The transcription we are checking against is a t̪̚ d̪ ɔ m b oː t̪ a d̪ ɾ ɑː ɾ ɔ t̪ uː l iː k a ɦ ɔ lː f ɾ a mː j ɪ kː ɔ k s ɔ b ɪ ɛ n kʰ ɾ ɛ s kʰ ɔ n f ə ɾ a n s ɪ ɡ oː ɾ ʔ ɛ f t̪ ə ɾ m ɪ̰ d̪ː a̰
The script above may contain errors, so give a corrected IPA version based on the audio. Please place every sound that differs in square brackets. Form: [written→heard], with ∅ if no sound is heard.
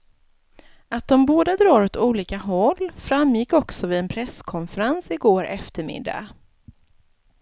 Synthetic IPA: a t̪̚ d̪ ɔ m b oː [t̪→d̪] a d̪ ɾ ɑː ɾ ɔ t̪ uː l iː k a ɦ ɔ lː f ɾ a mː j ɪ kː ɔ k s ɔ [b→v] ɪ ɛ n [kʰ→pʰ] ɾ ɛ s kʰ ɔ n f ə ɾ a n s ɪ ɡ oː ɾ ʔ ɛ f t̪ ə ɾ m ɪ̰ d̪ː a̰